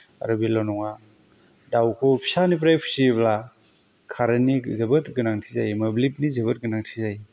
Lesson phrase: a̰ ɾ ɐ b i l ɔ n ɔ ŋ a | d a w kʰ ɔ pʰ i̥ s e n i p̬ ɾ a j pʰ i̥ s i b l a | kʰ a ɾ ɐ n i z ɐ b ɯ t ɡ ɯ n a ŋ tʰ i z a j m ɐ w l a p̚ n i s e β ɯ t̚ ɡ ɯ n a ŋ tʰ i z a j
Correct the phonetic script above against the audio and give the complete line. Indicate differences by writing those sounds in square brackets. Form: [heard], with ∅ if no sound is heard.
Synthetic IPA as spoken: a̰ ɾ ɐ b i l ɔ n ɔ ŋ a | d a w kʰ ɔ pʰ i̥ s [a] n i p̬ ɾ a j pʰ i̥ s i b l a | kʰ a ɾ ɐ n i z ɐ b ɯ t ɡ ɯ n a ŋ tʰ i z a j m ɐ [b] l [i] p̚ n i [z] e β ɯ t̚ ɡ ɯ n a ŋ tʰ i z a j